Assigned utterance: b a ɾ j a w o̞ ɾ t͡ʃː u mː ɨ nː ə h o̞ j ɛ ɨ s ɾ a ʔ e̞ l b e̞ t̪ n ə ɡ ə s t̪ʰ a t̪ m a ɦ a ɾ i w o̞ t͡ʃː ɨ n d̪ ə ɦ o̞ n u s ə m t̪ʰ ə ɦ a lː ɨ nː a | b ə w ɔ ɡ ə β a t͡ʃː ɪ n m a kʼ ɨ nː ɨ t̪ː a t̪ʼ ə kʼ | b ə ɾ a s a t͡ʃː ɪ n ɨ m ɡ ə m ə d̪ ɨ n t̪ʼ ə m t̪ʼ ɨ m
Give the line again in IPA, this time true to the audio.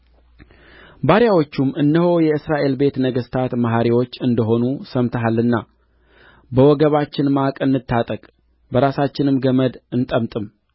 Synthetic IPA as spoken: b a ɾ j a w o̞ t͡ʃː u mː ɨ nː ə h o̞ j ɛ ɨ s ɾ a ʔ e̞ l b e̞ t̪ n ə ɡ ə s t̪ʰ a t̪ m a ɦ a ɾ i w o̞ t͡ʃː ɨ n d̪ ə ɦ o̞ n u s ə m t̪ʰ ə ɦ a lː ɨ nː a | b ə w ɔ ɡ ə β a t͡ʃː ɪ n m a kʼ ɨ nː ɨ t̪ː a t̪ʼ ə kʼ | b ə ɾ a s a t͡ʃː ɪ n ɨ m ɡ ə m ə d̪ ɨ n t̪ʼ ə m t̪ʼ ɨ m